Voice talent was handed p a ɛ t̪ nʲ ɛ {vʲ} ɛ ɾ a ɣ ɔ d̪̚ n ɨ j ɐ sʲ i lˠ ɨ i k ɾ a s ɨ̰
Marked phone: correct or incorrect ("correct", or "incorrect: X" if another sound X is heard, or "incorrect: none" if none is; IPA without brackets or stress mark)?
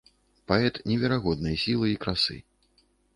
correct